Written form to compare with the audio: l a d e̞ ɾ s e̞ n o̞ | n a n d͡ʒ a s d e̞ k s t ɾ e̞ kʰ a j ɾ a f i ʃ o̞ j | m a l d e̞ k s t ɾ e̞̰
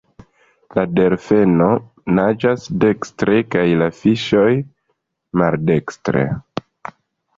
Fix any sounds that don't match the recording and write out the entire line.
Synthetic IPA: l a d e̞ ɾ f e̞ n o̞ | n a d͡ʒ a s d e̞ k s t ɾ e̞ k a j l a f i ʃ o̞ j | m a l d e̞ k s t ɾ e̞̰